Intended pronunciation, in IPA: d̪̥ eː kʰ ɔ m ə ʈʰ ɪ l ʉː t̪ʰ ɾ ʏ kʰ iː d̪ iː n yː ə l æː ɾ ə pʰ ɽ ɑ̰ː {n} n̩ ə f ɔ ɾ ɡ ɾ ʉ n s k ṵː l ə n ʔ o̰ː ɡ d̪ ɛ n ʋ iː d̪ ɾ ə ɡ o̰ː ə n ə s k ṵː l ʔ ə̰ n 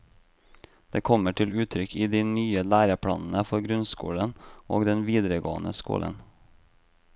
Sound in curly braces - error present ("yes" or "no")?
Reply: no